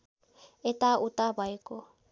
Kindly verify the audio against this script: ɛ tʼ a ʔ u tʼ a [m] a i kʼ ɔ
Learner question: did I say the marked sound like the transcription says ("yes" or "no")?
no